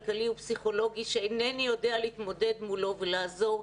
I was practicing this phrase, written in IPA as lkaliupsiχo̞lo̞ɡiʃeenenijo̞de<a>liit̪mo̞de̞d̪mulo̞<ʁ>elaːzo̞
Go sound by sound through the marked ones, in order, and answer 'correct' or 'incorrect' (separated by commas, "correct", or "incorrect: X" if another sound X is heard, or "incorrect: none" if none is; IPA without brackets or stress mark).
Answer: correct, incorrect: v